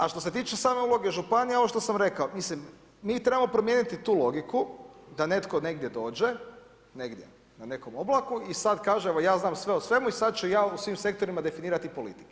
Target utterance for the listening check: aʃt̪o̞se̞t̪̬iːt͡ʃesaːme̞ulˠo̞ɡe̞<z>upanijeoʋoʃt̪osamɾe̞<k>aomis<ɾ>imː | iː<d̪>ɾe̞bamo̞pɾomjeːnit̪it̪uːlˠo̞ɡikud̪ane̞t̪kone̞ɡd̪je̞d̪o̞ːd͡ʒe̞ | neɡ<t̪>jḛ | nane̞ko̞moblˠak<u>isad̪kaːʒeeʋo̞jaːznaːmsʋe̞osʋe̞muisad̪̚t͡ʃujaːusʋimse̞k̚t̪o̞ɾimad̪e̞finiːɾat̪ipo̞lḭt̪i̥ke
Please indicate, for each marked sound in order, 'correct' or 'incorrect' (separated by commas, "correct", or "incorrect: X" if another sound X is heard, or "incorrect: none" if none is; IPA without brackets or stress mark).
incorrect: ʒ, correct, incorrect: l, incorrect: t̪, incorrect: d̪, correct